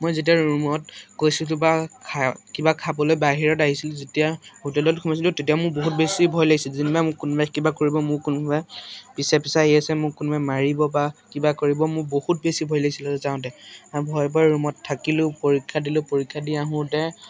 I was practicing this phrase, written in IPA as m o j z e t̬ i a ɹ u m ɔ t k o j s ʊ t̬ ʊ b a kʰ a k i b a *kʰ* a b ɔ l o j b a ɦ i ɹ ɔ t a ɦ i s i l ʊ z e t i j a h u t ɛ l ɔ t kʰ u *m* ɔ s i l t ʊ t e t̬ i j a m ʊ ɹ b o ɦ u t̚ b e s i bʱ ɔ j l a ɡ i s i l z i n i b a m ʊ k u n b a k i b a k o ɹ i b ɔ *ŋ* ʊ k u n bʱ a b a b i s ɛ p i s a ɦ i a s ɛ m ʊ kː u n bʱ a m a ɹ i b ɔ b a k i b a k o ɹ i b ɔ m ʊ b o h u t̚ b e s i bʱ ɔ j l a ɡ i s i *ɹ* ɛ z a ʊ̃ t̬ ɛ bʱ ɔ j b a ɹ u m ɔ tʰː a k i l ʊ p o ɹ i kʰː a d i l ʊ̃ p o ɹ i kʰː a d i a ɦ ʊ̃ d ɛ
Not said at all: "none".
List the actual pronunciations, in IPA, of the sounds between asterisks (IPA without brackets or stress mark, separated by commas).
kʰ, m, m, l